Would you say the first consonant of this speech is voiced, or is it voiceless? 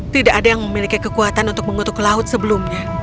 voiceless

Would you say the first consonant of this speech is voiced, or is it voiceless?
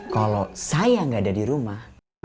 voiceless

